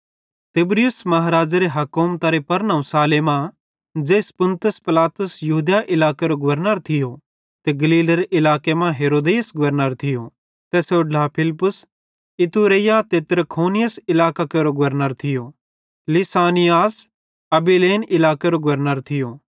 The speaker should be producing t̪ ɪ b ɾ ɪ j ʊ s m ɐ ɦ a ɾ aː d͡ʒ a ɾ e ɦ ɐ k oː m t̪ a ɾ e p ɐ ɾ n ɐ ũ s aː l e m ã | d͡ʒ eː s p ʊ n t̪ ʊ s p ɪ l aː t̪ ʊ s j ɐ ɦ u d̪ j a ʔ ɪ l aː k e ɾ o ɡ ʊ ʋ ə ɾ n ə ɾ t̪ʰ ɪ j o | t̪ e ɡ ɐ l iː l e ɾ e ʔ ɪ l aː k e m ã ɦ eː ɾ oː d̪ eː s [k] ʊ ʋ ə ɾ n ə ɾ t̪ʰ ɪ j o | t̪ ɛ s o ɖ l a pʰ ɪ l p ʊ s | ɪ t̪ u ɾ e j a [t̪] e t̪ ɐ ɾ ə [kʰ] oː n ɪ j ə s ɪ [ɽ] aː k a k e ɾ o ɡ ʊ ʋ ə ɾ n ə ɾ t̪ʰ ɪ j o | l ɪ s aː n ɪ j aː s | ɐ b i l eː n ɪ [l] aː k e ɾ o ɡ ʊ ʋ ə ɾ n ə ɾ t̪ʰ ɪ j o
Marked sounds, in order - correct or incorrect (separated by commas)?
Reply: incorrect, correct, correct, incorrect, correct